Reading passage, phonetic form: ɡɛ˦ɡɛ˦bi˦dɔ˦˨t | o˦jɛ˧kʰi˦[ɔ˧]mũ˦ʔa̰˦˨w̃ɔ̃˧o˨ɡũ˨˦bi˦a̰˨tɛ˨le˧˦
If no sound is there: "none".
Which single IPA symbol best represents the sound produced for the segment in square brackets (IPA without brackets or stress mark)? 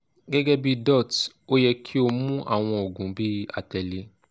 o˧